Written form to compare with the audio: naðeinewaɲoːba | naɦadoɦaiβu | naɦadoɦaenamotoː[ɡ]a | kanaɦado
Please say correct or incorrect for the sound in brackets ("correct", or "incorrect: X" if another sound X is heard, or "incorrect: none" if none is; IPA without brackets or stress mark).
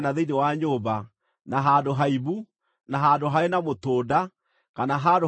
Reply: incorrect: d